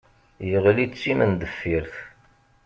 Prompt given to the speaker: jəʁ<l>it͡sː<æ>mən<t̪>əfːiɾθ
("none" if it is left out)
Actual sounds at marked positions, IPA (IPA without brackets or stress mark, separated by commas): l, i, d̪